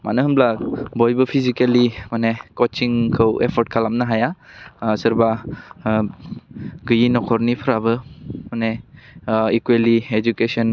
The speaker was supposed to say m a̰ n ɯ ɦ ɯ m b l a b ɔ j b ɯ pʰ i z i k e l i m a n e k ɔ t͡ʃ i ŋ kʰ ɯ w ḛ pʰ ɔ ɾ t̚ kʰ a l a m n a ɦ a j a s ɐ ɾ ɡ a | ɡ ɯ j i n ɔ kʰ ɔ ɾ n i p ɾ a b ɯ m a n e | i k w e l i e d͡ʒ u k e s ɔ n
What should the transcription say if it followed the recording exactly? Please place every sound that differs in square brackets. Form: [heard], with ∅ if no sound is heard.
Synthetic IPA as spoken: m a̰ n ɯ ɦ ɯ m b l a b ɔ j b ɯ pʰ i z i k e l i m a n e k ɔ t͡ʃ i ŋ kʰ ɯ w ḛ pʰ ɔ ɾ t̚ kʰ a l a m n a ɦ a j a s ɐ ɾ [b] a | ɡ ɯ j i n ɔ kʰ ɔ ɾ n i [pʰ] ɾ a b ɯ m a n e | i k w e l i e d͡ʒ u k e s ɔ n